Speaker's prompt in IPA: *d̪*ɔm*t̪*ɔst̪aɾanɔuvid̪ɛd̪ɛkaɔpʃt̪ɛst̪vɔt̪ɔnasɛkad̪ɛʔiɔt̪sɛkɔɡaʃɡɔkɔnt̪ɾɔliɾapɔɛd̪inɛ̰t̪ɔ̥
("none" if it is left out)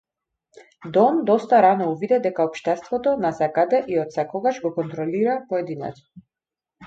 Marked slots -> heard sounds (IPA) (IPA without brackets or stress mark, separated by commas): d̪, d̪